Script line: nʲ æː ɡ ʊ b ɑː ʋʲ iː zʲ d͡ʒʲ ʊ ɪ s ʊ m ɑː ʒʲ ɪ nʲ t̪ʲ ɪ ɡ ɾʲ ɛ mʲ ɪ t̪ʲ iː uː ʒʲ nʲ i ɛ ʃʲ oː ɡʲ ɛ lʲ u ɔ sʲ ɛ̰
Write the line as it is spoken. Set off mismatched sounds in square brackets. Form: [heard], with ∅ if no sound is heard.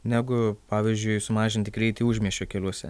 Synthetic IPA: nʲ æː ɡ ʊ [p] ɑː ʋʲ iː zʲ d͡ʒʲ ʊ ɪ s ʊ m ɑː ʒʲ ɪ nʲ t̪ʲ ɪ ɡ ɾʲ ɛ [∅] ɪ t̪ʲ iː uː ʒʲ [mʲ] i ɛ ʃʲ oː [kʲ] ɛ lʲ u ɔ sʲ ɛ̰